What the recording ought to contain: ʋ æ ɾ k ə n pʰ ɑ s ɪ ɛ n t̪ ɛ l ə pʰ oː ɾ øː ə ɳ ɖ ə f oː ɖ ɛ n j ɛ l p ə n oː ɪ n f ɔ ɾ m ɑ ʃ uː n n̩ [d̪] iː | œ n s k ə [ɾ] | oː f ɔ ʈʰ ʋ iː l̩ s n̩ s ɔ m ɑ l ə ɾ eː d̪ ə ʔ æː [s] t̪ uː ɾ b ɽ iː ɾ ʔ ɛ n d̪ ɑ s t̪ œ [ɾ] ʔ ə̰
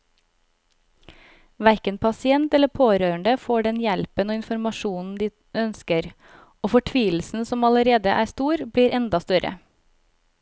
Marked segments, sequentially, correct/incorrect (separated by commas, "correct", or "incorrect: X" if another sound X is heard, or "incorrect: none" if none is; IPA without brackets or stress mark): correct, correct, correct, correct